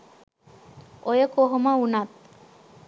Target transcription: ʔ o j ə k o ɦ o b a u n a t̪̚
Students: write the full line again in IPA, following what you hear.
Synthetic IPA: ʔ o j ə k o ɦ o m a u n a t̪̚